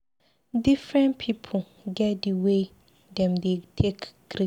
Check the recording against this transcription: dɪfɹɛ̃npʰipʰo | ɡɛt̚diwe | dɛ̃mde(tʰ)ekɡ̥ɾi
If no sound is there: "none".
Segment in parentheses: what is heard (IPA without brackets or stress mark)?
tʰ